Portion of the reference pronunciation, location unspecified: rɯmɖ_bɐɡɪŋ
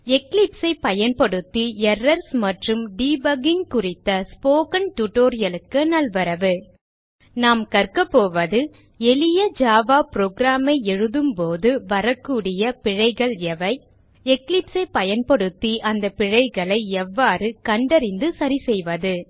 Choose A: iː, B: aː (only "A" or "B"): A